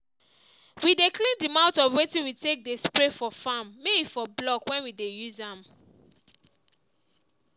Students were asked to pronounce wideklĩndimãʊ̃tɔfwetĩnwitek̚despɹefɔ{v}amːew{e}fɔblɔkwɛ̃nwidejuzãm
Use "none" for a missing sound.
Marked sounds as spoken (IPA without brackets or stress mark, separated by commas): f, i